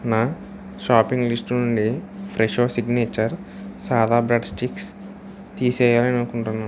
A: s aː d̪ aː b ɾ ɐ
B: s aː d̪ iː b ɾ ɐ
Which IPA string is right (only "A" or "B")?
A